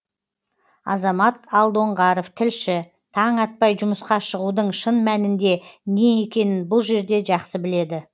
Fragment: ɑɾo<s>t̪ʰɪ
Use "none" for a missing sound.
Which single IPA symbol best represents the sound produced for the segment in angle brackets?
f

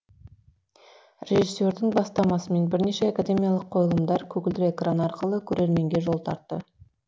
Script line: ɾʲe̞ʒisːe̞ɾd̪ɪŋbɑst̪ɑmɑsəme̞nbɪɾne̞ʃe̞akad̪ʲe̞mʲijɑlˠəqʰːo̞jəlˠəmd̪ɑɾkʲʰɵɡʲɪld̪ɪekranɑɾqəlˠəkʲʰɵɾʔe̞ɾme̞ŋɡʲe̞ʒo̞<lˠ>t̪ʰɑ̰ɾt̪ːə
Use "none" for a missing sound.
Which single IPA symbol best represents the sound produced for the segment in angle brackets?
lˠ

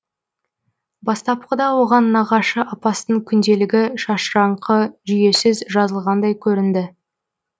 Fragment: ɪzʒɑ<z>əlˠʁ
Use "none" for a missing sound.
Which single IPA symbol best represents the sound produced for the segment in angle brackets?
z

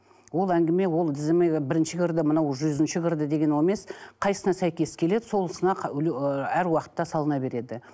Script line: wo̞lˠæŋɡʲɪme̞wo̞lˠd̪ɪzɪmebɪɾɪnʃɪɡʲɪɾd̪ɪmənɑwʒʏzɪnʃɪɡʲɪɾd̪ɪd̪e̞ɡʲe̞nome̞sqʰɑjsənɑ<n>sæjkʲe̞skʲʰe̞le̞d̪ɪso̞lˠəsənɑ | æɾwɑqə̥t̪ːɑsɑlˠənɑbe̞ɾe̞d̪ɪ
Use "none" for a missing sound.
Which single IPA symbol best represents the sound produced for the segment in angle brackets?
none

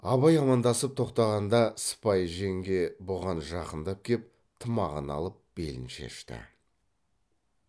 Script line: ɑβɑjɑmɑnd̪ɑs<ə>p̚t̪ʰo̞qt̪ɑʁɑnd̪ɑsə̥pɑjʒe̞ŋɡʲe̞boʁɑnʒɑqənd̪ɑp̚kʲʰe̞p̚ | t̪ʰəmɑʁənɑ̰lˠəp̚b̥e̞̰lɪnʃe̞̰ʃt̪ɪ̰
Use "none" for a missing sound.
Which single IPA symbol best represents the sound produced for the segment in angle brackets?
ə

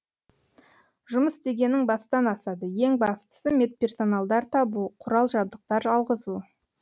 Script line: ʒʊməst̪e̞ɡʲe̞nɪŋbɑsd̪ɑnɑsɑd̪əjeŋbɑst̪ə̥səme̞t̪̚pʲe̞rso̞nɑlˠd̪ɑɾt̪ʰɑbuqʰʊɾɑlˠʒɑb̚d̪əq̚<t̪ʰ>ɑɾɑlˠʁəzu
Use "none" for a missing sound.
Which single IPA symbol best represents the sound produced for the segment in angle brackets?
t̪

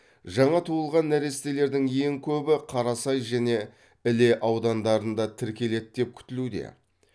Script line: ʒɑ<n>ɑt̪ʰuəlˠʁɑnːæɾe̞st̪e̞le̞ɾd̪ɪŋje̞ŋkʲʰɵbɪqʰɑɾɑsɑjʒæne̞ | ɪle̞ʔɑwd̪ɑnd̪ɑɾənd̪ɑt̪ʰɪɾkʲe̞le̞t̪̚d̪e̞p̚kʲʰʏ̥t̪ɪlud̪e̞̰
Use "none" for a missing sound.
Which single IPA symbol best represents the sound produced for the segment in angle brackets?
ɴ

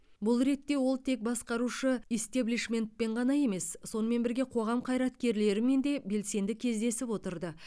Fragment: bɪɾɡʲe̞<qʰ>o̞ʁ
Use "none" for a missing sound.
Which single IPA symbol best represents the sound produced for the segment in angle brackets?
qʰ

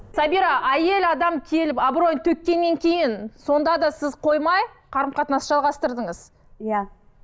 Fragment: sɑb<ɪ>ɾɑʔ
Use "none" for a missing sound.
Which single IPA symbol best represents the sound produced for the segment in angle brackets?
i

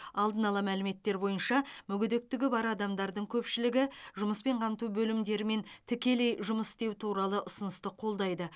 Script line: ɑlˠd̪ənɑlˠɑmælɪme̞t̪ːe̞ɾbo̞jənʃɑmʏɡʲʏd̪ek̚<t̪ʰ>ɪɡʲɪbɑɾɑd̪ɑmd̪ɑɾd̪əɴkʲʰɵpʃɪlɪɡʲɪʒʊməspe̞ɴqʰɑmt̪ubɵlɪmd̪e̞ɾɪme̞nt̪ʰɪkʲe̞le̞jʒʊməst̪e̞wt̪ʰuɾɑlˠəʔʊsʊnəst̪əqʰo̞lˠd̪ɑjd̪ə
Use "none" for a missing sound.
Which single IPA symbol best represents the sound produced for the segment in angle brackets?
t̪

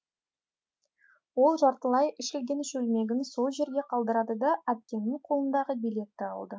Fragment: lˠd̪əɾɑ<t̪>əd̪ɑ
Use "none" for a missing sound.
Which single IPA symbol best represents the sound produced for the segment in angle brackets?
d̪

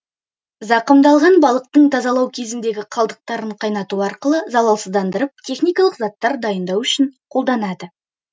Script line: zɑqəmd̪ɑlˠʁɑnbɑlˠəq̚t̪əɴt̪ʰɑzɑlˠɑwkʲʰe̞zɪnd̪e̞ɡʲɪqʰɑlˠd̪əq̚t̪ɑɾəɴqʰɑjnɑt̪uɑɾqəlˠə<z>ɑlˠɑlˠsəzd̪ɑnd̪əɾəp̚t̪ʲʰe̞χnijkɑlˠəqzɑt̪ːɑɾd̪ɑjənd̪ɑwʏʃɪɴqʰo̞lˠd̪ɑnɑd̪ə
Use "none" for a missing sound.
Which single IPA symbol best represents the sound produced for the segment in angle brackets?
z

